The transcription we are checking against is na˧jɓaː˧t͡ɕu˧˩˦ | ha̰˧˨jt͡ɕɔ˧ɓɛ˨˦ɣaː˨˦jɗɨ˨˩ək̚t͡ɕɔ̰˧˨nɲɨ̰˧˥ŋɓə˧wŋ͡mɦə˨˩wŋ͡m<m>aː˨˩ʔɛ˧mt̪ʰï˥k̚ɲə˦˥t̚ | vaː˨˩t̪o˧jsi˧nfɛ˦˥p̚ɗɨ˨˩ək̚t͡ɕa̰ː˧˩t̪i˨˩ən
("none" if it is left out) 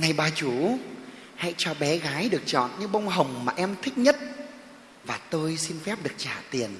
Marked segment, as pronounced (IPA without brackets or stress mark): m